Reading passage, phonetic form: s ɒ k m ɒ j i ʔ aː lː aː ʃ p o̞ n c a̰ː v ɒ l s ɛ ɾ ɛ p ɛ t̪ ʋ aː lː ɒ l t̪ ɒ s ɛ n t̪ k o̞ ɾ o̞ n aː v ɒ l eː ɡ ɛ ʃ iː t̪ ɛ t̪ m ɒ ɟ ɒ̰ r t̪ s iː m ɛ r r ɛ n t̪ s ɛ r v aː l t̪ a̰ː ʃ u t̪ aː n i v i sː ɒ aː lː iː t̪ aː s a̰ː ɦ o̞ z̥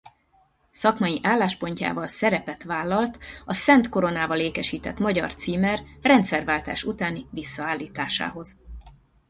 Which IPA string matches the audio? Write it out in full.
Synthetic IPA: s ɒ k m ɒ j i ʔ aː lː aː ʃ p o̞ ɲ c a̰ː v ɒ l s ɛ ɾ ɛ p ɛ t̪ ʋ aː lː ɒ l t̪ ɒ s ɛ n t̪ k o̞ ɾ o̞ n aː v ɒ l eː k ɛ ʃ iː t̪ ɛ t̪ m ɒ ɟ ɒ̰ r t̪ s iː m ɛ r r ɛ n t̪ s ɛ r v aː l t̪ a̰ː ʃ u t̪ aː n i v i sː ɒ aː lː iː t̪ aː ʃ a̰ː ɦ o̞ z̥